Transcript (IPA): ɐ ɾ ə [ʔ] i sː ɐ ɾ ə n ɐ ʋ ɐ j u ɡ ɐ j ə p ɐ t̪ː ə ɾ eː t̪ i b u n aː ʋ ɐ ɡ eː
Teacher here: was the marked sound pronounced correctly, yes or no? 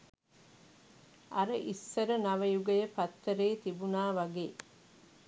yes